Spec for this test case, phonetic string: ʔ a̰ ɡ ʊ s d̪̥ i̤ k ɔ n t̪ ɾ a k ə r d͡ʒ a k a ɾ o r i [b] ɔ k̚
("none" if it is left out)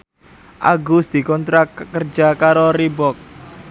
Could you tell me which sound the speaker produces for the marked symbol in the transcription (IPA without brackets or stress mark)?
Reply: b